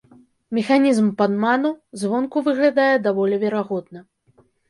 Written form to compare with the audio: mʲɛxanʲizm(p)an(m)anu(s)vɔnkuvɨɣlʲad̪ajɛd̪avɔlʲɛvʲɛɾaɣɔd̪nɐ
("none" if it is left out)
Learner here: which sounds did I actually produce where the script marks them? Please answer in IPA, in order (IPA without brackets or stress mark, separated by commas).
p, m, z